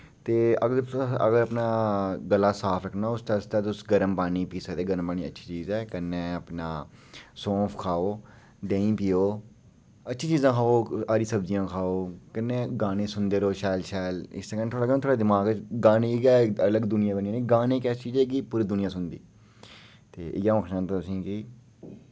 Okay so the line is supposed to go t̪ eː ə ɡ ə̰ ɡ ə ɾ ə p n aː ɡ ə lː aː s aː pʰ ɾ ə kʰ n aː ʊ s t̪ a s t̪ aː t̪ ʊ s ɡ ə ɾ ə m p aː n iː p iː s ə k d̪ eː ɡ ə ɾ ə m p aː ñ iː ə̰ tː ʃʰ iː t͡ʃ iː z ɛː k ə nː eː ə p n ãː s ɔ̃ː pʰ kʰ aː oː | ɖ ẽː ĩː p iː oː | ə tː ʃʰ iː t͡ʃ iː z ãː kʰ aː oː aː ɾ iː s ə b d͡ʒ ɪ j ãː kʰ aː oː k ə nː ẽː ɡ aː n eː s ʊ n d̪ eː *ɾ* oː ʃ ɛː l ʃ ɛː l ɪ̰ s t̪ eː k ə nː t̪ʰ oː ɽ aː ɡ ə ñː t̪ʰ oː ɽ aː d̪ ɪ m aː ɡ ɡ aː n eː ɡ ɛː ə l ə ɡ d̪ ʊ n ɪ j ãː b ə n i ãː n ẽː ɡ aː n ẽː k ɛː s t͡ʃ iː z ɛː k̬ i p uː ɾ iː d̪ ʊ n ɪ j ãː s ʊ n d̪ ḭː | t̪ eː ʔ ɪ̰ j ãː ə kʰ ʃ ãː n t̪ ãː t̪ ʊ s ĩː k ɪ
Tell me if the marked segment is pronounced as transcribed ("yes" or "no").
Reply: yes